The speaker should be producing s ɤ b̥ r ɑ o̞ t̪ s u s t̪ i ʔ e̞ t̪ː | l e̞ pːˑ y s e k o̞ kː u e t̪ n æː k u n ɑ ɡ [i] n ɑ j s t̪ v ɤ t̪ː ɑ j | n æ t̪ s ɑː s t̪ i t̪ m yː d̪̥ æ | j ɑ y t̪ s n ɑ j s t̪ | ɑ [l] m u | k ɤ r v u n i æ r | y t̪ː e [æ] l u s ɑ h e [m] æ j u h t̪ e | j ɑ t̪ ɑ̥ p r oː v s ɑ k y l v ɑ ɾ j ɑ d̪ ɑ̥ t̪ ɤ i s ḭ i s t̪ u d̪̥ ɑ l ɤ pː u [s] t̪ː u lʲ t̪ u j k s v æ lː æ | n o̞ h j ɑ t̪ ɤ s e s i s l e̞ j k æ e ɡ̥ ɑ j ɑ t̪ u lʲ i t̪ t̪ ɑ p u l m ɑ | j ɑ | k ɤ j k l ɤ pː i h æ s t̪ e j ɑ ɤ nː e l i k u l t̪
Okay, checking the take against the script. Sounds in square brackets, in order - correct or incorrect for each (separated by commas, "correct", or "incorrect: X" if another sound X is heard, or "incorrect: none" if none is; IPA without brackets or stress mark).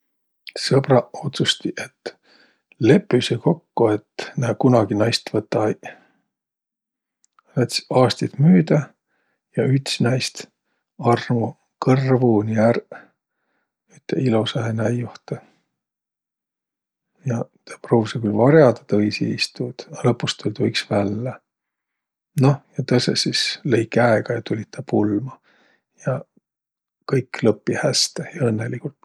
correct, incorrect: r, incorrect: i, incorrect: n, correct